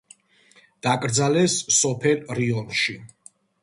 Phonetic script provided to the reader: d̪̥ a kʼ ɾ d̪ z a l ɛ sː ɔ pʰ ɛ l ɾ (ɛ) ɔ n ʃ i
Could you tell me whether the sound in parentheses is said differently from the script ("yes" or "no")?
yes